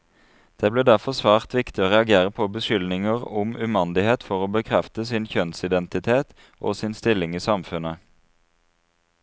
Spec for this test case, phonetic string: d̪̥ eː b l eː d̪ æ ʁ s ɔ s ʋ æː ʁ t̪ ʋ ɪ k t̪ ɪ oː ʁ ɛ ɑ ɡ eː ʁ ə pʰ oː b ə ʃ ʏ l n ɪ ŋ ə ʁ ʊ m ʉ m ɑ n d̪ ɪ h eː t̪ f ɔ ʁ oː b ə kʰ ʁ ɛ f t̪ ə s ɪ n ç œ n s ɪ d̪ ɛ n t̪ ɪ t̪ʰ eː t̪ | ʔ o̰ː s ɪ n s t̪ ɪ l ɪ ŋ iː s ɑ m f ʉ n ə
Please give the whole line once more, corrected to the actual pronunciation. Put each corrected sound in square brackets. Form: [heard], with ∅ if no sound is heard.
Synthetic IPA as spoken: d̪̥ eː b l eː d̪ æ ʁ [f] ɔ s ʋ æː ʁ t̪ ʋ ɪ k t̪ ɪ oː ʁ ɛ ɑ ɡ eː ʁ ə pʰ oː b ə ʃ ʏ l n ɪ ŋ ə ʁ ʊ m ʉ m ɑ n d̪ ɪ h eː t̪ f ɔ ʁ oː b ə kʰ ʁ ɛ f t̪ ə s ɪ n ç œ n s ɪ d̪ ɛ n t̪ ɪ t̪ʰ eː t̪ | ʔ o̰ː s ɪ n s t̪ ɪ l ɪ ŋ iː s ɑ m f ʉ n ə